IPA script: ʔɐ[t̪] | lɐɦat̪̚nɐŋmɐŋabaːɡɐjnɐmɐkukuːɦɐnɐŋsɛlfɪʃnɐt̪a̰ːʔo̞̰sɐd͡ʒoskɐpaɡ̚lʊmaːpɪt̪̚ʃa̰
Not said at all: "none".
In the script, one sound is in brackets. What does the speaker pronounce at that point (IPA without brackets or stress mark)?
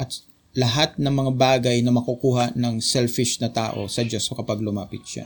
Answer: t̪